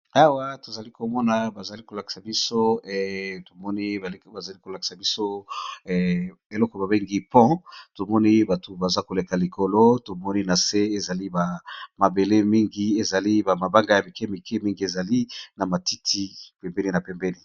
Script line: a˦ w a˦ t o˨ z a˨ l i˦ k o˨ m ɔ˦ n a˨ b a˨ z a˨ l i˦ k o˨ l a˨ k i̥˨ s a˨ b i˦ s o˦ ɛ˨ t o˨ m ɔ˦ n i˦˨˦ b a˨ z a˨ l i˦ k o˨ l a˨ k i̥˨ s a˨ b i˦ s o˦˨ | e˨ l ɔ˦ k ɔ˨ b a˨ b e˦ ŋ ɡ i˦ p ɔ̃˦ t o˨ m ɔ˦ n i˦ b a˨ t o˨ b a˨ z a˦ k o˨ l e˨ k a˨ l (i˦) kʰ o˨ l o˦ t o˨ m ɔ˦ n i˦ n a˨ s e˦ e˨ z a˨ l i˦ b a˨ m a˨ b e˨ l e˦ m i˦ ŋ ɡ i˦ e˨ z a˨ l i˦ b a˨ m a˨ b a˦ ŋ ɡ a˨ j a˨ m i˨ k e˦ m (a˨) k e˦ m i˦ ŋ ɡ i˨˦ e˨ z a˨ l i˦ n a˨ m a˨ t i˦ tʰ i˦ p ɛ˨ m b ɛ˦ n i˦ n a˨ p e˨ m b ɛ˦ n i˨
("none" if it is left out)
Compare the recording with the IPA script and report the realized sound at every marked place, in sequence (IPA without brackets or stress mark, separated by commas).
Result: i˨, i˨